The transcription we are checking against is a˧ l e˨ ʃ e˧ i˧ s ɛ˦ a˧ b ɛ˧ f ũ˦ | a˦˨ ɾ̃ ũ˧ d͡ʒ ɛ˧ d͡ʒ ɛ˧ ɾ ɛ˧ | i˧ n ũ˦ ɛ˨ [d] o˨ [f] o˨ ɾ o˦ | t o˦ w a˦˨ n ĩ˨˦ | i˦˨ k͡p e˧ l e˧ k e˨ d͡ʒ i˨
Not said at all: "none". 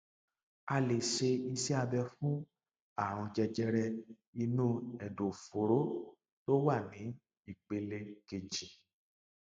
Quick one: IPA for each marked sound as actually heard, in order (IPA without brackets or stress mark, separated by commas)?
d, f